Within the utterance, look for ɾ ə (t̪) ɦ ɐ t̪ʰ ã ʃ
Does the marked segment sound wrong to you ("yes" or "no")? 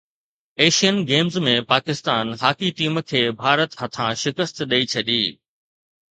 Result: no